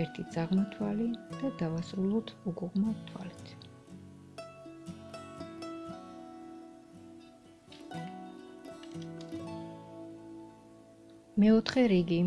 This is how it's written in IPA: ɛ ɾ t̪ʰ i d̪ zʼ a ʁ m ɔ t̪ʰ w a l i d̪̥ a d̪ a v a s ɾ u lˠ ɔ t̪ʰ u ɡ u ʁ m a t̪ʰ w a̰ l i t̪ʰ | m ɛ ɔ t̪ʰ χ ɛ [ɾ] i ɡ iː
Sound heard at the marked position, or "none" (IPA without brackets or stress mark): ɾ